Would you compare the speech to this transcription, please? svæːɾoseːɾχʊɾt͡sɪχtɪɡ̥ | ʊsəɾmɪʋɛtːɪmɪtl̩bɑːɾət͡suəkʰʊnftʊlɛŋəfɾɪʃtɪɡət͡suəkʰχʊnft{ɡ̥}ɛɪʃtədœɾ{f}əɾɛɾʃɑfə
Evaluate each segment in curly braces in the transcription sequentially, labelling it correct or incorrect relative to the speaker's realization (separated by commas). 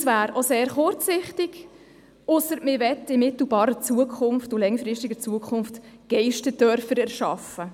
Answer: correct, correct